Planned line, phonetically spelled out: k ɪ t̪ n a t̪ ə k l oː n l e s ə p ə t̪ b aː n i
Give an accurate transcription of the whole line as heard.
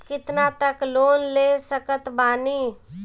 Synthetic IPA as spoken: k ɪ t̪ n a t̪ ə k l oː n l e s ə k ə t̪ b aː n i